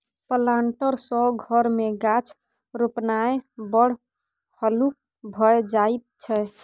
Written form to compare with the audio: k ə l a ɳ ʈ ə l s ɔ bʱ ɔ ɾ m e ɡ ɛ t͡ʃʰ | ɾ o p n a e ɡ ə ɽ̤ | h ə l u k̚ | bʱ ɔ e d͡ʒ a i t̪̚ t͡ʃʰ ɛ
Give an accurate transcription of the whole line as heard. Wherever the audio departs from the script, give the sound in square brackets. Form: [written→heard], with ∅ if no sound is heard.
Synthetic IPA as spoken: [k→p] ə l a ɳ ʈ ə [l→ɾ] s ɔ [bʱ→ɡʱ] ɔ ɾ m e ɡ [ɛ→a] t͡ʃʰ | ɾ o p n a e [ɡ→b] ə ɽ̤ | h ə l u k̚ | bʱ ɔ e d͡ʒ a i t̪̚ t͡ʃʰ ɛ